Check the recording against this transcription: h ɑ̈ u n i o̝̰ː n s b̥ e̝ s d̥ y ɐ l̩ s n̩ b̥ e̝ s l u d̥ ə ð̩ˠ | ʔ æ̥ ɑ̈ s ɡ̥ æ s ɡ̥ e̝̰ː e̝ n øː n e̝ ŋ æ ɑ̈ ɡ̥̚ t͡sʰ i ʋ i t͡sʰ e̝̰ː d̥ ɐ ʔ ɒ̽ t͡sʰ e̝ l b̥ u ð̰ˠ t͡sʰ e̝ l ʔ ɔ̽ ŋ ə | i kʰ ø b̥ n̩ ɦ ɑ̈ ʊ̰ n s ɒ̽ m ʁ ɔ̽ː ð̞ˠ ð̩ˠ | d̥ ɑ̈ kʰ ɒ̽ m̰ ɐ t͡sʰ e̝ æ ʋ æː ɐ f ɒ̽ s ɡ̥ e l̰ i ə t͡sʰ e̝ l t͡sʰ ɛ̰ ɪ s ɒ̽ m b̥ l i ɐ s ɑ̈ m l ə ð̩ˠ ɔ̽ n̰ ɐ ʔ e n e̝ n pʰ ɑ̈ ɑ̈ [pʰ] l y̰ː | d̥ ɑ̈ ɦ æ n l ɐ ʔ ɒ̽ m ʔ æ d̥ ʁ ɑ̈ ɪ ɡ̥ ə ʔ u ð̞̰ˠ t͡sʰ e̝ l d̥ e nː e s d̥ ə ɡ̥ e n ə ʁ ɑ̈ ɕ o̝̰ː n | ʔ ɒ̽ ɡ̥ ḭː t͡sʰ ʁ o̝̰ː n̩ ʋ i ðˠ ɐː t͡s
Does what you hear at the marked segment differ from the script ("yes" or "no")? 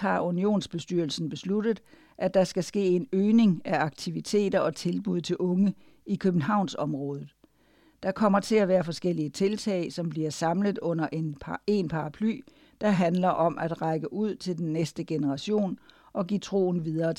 no